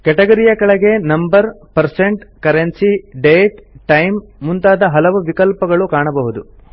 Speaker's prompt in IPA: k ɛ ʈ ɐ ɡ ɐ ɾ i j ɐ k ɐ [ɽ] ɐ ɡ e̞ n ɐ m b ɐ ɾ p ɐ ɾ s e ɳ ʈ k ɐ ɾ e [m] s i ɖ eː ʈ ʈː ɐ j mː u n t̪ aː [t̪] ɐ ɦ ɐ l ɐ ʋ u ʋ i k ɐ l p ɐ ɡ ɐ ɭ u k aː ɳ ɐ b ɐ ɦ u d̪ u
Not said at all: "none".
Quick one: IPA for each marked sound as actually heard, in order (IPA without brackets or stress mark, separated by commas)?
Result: ɭ, n, d̪